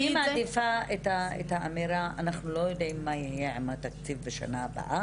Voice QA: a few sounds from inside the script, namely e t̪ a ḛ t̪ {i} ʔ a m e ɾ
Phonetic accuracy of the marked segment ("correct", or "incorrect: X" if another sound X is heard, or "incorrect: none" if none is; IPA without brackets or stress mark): incorrect: a